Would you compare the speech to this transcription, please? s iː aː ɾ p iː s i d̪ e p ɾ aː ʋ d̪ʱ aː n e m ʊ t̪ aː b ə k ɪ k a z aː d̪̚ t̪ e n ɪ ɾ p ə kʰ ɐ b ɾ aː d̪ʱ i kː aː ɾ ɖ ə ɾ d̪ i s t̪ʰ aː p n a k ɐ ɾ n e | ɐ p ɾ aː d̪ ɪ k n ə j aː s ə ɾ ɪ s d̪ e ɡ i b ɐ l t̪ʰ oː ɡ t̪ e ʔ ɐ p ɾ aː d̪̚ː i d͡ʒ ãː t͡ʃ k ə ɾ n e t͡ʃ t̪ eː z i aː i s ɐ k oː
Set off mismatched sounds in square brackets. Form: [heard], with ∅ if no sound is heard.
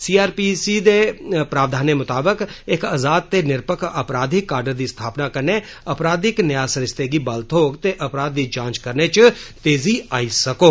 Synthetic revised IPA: s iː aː ɾ p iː s i d̪ e p ɾ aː ʋ d̪ʱ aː n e m ʊ t̪ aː b ə k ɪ k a z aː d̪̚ t̪ e n ɪ ɾ p ə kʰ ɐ [p] ɾ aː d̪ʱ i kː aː ɾ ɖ ə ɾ d̪ i s t̪ʰ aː p n a k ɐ ɾ n e | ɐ p ɾ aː d̪ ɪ k n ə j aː s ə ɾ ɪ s [t̪] e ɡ i b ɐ l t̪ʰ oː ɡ t̪ e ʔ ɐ p ɾ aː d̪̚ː i d͡ʒ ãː t͡ʃ k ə ɾ n e t͡ʃ t̪ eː z i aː i s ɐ k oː